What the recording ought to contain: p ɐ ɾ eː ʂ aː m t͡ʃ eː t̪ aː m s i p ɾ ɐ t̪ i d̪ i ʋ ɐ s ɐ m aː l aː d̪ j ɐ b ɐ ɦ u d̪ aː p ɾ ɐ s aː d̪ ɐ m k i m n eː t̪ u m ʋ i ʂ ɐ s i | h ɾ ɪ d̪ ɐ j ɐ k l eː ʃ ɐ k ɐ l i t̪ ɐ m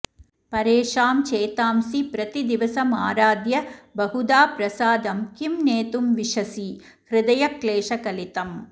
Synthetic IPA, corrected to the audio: p ɐ ɾ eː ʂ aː m t͡ʃ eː t̪ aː m s i p ɾ ɐ t̪ i d̪ i ʋ ɐ s ɐ m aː ɾ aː d̪ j ɐ b ɐ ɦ u d̪ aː p ɾ ɐ s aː d̪ ɐ m k i m n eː t̪ u m ʋ i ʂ ɐ s i | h ɾ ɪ d̪ ɐ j ɐ k l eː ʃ ɐ k ɐ l i t̪ ɐ m